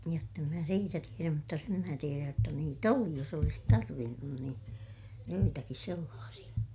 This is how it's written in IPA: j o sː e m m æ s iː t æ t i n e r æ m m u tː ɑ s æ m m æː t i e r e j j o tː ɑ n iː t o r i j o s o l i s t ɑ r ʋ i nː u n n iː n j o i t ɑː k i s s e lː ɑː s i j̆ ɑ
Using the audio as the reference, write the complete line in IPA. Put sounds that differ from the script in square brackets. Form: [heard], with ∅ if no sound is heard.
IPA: j o [tː] e m m æ s iː t æ t i [∅] e r æ m m u tː ɑ s [e] m m æː t i e r [æ] j j o tː ɑ n iː t o [l] i j o s o l i s t ɑ r ʋ i nː u n n iː n j o i t [ɑ] k i s s e lː ɑː s i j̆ ɑ